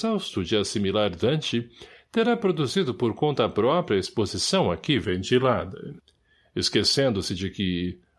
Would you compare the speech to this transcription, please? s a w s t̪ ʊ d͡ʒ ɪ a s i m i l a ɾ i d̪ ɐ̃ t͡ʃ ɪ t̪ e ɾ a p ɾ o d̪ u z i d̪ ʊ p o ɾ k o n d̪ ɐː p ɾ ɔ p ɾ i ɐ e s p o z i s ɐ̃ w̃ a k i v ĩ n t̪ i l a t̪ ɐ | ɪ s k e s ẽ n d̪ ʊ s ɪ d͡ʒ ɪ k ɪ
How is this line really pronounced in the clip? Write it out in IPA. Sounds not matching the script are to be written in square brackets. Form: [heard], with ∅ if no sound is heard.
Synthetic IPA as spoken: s a w s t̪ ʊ d͡ʒ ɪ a s i m i l a ɾ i d̪ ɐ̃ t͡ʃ ɪ t̪ e ɾ a p ɾ o d̪ u z i d̪ ʊ p o ɾ k [õ] n [t̪] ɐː p ɾ ɔ p ɾ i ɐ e s p o z i s ɐ̃ w̃ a k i v [ẽ] n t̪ i l a [d̪] ɐ | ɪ s k e s ẽ n d̪ ʊ s ɪ d͡ʒ ɪ k ɪ

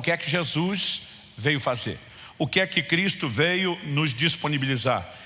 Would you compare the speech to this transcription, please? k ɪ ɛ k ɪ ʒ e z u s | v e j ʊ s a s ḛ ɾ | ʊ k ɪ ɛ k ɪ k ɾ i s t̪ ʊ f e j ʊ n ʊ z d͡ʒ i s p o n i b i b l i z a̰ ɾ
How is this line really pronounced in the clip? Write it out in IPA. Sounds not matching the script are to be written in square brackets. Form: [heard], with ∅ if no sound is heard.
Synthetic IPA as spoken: k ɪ ɛ k ɪ ʒ e z u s | v e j ʊ [f] a [z] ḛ ɾ | ʊ k ɪ ɛ k ɪ k ɾ i s t̪ ʊ [v] e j ʊ n ʊ z d͡ʒ i s p o n i b i [∅] l i z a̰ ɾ

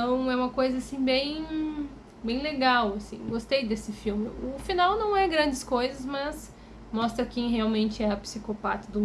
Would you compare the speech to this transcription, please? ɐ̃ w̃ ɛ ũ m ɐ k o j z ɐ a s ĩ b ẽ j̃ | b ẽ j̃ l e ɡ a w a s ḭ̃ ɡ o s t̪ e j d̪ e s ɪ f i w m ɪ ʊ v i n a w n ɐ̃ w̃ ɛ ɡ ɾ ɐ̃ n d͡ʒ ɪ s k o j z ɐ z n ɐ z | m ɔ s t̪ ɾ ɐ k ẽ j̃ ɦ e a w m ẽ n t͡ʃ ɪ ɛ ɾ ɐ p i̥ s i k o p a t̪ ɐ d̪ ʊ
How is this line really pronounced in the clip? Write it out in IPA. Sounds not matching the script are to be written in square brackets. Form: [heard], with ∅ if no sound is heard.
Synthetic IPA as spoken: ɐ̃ w̃ ɛ ũ m ɐ k o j z ɐ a s ĩ b ẽ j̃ | b ẽ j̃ l e ɡ a w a s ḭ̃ ɡ o s t̪ e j d̪ e s ɪ f i w m ɪ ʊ [f] i n a w n ɐ̃ w̃ ɛ ɡ ɾ ɐ̃ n d͡ʒ ɪ s k o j z ɐ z [m] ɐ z | m ɔ s t̪ ɾ ɐ k ẽ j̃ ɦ e a w m ẽ n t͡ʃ ɪ ɛ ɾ ɐ p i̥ s i k o p a t̪ ɐ d̪ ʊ

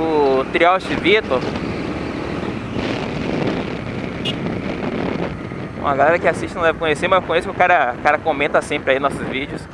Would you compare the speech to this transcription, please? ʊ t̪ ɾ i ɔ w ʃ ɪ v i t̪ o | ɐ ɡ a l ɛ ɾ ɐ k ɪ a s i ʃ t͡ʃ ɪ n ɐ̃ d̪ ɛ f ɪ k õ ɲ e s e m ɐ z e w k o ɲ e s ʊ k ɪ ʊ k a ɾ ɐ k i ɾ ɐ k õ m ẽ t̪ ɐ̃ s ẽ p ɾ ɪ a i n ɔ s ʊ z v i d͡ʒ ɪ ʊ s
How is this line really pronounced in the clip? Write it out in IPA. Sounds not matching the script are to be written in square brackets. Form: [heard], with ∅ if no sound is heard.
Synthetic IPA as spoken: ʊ t̪ ɾ i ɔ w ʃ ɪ v i t̪ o | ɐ ɡ a l ɛ ɾ ɐ k ɪ a s i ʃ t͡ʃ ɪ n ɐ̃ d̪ ɛ [v] ɪ k õ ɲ e s e m ɐ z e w k [õ] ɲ e s ʊ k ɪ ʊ k a ɾ ɐ k [a] ɾ ɐ k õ m ẽ t̪ [ɐ] s ẽ p ɾ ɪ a i n ɔ s ʊ z v i d͡ʒ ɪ ʊ s

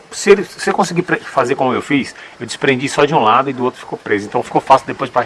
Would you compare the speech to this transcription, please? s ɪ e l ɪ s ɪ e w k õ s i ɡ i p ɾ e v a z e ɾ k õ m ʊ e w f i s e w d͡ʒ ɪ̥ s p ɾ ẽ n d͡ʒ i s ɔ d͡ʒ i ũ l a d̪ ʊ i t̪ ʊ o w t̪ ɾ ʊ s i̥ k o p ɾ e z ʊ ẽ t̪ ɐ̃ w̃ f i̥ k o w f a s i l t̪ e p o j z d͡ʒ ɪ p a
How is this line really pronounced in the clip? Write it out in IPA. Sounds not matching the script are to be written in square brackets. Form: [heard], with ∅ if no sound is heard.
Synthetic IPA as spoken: s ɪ e l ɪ s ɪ e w k õ s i ɡ i p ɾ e [f] a z e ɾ k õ m ʊ e w f i s e w d͡ʒ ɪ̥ s p ɾ ẽ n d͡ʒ i s ɔ d͡ʒ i ũ l a d̪ ʊ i [d̪] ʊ o w t̪ ɾ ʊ [f] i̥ k o p ɾ e z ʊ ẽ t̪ ɐ̃ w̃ f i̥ k o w f a s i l [d̪] e p o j z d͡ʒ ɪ p a

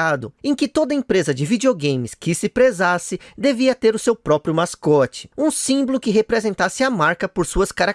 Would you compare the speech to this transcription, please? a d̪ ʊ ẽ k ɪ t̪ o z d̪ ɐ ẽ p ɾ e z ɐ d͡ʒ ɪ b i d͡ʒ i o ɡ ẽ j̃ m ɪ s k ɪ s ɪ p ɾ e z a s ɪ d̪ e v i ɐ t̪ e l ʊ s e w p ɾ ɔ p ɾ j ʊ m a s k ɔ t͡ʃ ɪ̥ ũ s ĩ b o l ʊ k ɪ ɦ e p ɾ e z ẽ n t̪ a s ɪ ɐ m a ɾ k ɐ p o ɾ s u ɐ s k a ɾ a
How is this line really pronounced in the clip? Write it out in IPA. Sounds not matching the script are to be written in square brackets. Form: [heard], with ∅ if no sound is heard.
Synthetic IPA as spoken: a d̪ ʊ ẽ k ɪ t̪ o [∅] d̪ ɐ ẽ p ɾ e z ɐ d͡ʒ ɪ [v] i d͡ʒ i o ɡ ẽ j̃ m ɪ s k ɪ s ɪ p ɾ e z a s ɪ d̪ e v i ɐ t̪ e [ɾ] ʊ s e w p ɾ ɔ p ɾ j ʊ m a s k ɔ t͡ʃ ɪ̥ ũ s ĩ b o l ʊ k ɪ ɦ e p ɾ e z ẽ n t̪ a s ɪ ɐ m a ɾ k ɐ p o ɾ s u ɐ s k a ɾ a

